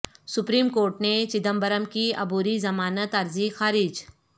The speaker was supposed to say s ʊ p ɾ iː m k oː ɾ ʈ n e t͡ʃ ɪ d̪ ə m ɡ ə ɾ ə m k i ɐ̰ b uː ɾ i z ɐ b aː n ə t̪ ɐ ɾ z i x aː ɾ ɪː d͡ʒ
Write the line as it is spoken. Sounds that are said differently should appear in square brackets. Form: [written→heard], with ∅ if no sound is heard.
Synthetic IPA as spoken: s ʊ p ɾ iː m k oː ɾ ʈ n e t͡ʃ ɪ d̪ ə m [ɡ→b] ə ɾ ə m k i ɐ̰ b uː ɾ i z ɐ [b→m] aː n ə t̪ ɐ ɾ z i x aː ɾ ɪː d͡ʒ